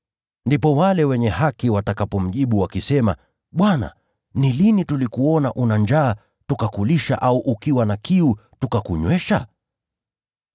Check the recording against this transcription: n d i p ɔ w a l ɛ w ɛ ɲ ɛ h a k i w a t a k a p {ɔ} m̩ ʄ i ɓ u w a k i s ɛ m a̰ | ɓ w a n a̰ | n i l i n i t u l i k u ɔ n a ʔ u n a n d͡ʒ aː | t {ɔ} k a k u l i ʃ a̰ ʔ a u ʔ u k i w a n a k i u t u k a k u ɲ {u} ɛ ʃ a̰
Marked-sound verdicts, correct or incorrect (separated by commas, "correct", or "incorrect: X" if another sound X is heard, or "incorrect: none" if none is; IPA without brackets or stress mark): correct, incorrect: u, incorrect: w